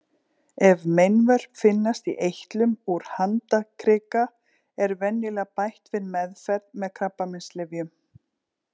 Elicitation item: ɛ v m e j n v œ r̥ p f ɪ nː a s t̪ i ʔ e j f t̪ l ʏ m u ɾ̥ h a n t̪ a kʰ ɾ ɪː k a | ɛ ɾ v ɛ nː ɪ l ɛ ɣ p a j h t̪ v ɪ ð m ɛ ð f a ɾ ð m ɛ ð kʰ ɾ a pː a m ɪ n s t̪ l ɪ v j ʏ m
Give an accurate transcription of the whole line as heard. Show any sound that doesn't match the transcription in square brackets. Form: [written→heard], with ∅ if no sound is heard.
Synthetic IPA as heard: ɛ v m e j n v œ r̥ p f ɪ nː a s t̪ i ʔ e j [f→h] t̪ l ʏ m u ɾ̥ h a n t̪ a kʰ ɾ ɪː k a | ɛ ɾ v ɛ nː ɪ l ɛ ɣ p a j h t̪ v ɪ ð m ɛ ð f [a→ɛ] ɾ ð m ɛ ð kʰ ɾ a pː a m ɪ n s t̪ l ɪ v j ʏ m